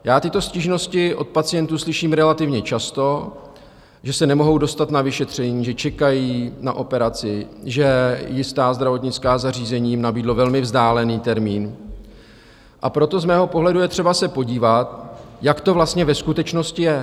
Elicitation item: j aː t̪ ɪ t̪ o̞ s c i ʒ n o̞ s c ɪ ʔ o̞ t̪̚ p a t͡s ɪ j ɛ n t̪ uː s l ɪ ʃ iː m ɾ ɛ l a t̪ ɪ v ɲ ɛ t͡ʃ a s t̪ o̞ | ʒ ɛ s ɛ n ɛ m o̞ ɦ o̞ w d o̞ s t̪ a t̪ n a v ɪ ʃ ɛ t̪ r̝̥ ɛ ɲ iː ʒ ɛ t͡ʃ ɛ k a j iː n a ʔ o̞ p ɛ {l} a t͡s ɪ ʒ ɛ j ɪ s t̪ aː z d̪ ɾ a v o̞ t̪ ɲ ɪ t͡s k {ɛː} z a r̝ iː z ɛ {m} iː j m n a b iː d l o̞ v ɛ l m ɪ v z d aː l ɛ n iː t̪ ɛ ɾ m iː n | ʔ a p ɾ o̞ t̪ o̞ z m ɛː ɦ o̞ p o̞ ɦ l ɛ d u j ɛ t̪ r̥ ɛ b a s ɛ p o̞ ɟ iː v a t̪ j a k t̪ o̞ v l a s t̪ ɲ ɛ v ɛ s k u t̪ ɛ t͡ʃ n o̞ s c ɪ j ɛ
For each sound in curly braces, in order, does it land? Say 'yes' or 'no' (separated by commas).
no, no, no